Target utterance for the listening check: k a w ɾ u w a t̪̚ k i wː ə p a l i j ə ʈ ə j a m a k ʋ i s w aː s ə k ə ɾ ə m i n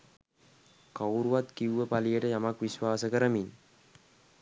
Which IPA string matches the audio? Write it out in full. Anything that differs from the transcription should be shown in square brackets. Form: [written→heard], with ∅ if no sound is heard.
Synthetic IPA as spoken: k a w ɾ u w a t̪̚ k i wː ə p a l i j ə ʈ ə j a m a k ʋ i s w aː s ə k ə ɾ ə m i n

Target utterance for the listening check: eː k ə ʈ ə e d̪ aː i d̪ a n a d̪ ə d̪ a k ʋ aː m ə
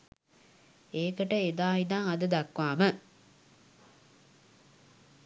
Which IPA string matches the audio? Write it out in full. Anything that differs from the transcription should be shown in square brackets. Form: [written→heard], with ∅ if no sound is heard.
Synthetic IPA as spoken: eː k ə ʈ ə e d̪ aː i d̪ a [n→ŋ] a d̪ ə d̪ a k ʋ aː m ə

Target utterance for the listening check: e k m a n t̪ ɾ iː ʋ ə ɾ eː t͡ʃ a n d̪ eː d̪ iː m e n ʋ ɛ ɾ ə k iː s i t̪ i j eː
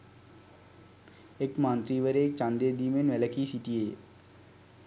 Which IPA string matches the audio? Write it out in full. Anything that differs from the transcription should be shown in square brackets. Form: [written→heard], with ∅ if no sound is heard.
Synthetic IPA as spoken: e k m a n t̪ ɾ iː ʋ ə ɾ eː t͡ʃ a n d̪ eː d̪ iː m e n ʋ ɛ [ɾ→l] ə k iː s i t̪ i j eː

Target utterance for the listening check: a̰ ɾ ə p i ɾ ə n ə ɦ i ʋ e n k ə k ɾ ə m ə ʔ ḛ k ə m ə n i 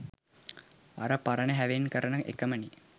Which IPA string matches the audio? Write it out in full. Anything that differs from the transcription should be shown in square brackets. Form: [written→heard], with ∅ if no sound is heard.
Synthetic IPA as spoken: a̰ ɾ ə p [i→a] ɾ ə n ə ɦ [i→æ] ʋ e n k ə [k→∅] ɾ ə [m→n] ə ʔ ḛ k ə m ə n i

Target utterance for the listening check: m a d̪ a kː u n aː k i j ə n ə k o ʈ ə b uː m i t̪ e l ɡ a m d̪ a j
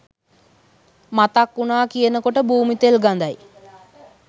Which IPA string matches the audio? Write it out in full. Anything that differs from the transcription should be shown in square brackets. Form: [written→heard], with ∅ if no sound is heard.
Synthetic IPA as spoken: m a [d̪→t̪] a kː u n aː k i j ə n ə k o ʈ ə b uː m i t̪ e l ɡ a [m→n] d̪ a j

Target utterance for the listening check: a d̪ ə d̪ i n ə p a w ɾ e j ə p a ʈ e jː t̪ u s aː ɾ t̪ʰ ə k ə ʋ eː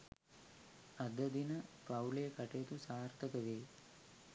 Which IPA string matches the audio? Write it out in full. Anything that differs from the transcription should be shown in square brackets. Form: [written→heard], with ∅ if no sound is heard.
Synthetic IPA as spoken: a d̪ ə d̪ i n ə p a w [ɾ→l] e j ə [p→k] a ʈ e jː t̪ u s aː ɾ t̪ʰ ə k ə ʋ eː

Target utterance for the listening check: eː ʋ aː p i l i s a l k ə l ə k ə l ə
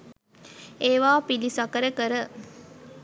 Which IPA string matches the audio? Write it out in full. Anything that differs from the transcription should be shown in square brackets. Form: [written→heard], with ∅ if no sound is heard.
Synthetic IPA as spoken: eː ʋ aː p i l i s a [l→∅] k ə [l→ɾ] ə k ə [l→ɾ] ə

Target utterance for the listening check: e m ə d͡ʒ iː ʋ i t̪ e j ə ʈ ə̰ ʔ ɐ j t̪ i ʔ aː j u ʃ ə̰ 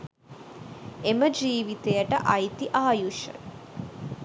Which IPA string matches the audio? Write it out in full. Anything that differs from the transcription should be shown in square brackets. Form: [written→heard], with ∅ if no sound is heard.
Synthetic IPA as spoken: e m ə d͡ʒ iː ʋ i t̪ e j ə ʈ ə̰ ʔ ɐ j t̪ i ʔ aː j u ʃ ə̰

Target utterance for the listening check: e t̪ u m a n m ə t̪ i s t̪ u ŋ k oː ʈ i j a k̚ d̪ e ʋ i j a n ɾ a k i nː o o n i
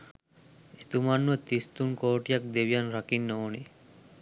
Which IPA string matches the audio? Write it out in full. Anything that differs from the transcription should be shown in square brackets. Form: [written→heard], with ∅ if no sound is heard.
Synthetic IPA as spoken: e t̪ u m a n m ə t̪ i s t̪ u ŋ k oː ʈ i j a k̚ d̪ e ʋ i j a n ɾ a k i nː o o n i

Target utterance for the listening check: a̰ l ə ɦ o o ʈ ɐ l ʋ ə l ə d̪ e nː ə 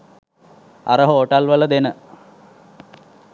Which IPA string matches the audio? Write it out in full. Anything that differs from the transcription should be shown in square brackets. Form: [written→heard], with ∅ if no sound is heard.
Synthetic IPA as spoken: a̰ [l→ɾ] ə ɦ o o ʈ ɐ l ʋ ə l ə d̪ e [nː→n] ə

